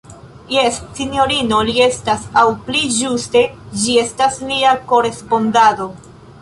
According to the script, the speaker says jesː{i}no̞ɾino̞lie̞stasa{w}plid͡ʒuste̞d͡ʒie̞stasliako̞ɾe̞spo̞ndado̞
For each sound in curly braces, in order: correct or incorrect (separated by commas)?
correct, correct